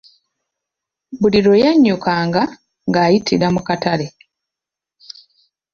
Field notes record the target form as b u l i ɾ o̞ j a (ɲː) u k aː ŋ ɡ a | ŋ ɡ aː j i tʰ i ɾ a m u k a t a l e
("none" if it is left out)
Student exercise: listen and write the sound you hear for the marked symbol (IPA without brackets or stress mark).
ɲː